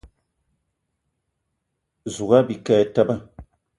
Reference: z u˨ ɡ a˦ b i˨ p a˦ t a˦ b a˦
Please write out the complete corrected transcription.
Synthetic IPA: z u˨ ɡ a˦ b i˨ k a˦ t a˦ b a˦